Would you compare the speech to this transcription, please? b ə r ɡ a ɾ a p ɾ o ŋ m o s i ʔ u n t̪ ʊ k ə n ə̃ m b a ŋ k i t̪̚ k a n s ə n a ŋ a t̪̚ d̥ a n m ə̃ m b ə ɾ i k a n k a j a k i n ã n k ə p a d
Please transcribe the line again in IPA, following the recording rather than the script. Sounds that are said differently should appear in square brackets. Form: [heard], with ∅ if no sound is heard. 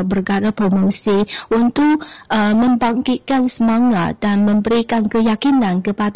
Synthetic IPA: b ə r ɡ a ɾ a p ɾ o [∅] m o s i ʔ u n t̪ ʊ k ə [m] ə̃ m b a ŋ k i t̪̚ k a n s ə [m] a ŋ a t̪̚ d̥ a n m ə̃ m b ə ɾ i k a n k [ə] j a k i n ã n k ə p a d